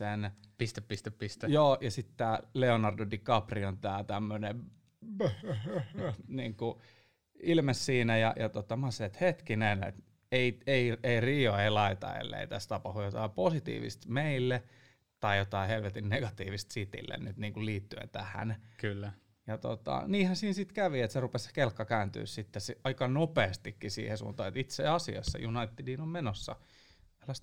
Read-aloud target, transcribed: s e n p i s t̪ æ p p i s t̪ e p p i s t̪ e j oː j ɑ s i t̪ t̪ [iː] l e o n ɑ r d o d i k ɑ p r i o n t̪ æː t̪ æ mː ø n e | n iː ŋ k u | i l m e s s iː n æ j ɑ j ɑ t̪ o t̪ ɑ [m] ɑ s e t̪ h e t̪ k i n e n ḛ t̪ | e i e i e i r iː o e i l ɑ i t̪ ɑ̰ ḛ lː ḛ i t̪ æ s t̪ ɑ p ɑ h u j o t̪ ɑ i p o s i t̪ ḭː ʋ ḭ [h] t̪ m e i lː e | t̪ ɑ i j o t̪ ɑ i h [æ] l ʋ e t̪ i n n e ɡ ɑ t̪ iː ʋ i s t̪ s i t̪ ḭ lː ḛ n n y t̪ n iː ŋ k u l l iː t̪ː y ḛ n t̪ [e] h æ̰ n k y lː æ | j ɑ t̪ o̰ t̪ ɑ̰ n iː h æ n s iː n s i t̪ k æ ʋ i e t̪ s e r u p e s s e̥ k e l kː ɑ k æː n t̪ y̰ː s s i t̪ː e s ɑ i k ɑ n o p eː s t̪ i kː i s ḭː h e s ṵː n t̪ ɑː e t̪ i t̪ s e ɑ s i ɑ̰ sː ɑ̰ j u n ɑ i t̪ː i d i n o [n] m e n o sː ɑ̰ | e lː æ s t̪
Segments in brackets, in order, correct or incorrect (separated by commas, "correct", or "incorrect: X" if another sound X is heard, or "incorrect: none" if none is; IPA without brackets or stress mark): incorrect: æː, correct, incorrect: s, incorrect: e, incorrect: æ, incorrect: m